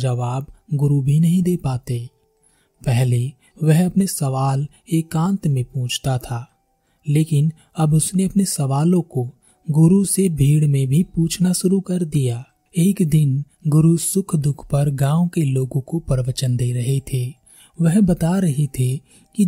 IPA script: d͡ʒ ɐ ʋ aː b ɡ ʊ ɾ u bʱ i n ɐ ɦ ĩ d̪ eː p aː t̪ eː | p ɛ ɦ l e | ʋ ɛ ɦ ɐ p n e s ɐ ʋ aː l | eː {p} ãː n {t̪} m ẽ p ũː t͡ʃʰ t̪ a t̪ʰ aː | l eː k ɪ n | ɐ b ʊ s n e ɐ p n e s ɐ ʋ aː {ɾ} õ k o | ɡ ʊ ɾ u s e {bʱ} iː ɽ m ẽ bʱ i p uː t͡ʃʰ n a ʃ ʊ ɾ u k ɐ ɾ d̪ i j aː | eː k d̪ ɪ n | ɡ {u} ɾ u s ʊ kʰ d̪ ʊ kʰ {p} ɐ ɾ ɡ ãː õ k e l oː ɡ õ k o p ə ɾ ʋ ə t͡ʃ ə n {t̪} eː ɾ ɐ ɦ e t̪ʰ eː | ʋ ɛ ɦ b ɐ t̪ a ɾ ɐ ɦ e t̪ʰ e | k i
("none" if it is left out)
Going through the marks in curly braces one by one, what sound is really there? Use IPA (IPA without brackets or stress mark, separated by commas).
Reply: k, t̪, l, bʱ, ʊ, p, d̪